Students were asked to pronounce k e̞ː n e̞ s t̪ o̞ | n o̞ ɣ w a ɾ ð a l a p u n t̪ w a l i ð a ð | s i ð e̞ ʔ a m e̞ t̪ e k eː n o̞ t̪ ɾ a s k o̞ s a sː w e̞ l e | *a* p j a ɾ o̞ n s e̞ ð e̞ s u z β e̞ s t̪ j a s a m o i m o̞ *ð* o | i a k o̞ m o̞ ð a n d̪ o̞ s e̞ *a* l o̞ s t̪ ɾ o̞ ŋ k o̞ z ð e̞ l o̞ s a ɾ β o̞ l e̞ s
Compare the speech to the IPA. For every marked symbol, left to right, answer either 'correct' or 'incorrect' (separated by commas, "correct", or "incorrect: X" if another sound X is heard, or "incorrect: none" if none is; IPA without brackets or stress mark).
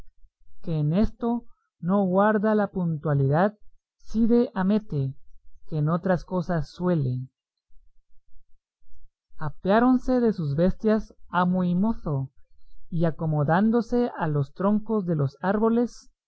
correct, incorrect: θ, correct